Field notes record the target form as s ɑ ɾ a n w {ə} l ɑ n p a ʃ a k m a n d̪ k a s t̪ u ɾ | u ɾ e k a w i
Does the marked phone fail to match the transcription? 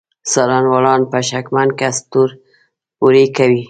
yes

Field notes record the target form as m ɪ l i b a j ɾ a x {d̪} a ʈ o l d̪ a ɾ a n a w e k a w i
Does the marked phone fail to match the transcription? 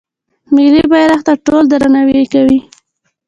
yes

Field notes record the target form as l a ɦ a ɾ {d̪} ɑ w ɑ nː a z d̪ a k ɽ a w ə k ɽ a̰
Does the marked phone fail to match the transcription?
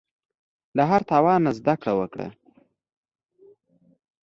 yes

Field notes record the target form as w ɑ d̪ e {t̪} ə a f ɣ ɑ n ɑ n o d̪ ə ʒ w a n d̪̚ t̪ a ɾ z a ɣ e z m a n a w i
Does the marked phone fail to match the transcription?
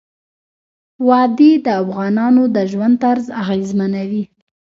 yes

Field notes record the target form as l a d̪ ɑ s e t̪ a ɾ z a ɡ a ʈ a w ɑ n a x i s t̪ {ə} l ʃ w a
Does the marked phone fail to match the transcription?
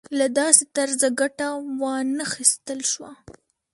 no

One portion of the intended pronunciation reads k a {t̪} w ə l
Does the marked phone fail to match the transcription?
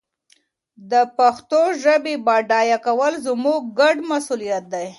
yes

